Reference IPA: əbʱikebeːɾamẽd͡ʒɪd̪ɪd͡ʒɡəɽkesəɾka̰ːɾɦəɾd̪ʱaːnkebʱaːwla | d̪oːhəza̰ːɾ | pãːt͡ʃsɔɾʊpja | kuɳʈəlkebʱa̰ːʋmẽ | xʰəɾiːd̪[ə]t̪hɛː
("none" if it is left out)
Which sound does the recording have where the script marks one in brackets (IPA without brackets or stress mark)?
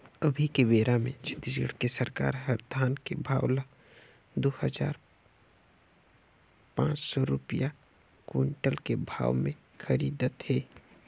ə